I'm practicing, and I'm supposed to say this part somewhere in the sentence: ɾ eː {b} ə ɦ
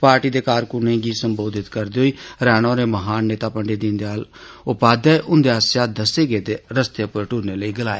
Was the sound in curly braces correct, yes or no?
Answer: no